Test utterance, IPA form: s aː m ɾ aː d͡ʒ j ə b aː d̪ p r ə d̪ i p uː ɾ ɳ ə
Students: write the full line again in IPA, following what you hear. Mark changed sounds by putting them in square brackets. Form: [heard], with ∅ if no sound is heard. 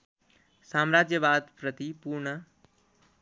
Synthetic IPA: s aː m ɾ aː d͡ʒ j ə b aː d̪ p [ɾ] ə [t̪] i p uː ɾ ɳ ə